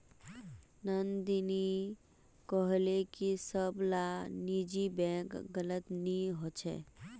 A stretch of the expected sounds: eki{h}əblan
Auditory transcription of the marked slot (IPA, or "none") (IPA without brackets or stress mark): s